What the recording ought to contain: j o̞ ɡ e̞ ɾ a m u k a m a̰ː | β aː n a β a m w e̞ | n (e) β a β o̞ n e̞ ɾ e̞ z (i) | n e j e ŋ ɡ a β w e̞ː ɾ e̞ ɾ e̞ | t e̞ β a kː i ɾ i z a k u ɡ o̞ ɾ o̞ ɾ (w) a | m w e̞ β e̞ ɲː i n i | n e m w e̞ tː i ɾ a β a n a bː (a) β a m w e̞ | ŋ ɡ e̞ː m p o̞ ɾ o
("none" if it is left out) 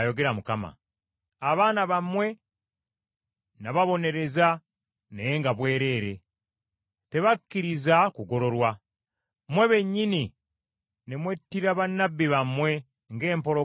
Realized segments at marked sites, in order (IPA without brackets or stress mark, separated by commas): a, a, w, i